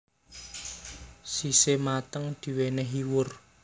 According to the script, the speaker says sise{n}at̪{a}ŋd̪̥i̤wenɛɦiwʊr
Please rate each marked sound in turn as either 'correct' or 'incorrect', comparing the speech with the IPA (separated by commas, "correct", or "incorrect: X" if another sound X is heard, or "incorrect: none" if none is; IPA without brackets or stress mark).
incorrect: m, incorrect: ə